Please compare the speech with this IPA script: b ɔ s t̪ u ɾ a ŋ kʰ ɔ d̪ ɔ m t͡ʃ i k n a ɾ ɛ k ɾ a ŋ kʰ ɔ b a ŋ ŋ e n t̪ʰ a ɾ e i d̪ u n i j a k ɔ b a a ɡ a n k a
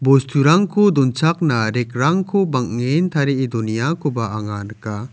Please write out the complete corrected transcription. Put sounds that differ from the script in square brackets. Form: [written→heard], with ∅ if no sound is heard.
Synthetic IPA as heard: b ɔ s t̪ u ɾ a ŋ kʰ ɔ d̪ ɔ [m→n] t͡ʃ [i→a] k n a ɾ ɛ k ɾ a ŋ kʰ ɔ b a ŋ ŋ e n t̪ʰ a ɾ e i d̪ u n i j a k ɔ b a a [ɡ→ŋ] a n k a